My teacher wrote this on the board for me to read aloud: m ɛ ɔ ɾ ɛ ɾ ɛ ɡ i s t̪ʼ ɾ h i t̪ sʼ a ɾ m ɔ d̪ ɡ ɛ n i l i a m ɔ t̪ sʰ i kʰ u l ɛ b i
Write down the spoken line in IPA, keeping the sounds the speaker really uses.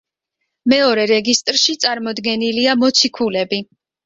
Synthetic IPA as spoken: m ɛ ɔ ɾ ɛ ɾ ɛ ɡ i s t̪ʼ ɾ ʃ i t̪ sʼ a ɾ m ɔ d̪ ɡ ɛ n i l i a m ɔ t̪ sʰ i kʰ u l ɛ b i